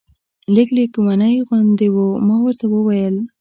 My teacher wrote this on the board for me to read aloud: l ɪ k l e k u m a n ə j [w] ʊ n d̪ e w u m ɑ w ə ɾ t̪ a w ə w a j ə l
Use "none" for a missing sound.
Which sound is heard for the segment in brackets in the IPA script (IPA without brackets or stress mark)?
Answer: ɣ